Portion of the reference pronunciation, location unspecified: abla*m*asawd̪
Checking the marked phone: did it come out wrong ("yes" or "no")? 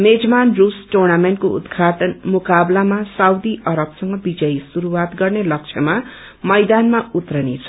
no